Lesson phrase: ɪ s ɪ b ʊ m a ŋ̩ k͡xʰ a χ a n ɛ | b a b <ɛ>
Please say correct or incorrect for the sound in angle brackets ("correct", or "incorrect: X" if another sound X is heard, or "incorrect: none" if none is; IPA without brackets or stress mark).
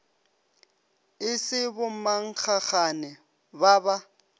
incorrect: a